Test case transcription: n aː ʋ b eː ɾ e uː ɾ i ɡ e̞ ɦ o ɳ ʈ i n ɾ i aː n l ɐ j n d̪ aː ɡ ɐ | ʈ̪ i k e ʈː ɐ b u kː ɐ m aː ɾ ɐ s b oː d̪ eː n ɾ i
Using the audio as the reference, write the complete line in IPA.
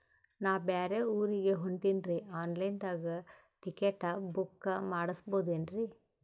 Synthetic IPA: n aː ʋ b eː ɾ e uː ɾ i ɡ e̞ ɦ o ɳ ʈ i n ɾ i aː n l ɐ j n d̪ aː ɡ ɐ | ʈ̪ i k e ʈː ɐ b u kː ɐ m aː ɽ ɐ s b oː d̪ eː n ɾ i